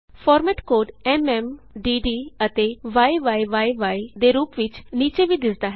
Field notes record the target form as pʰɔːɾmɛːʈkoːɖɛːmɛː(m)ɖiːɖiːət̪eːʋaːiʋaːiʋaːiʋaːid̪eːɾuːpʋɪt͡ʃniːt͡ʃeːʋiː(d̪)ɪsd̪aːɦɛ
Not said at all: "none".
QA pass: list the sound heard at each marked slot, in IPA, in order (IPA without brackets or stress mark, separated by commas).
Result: m, d̪